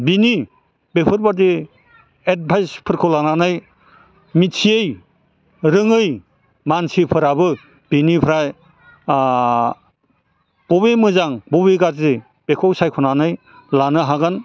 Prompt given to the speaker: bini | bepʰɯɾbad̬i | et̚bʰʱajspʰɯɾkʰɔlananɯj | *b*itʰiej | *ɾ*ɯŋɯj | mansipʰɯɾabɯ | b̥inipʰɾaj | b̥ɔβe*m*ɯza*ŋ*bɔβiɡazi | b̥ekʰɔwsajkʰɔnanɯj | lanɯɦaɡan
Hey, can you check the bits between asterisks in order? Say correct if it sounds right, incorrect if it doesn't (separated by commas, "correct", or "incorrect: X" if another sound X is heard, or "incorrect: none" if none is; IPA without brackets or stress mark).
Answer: incorrect: m, correct, correct, correct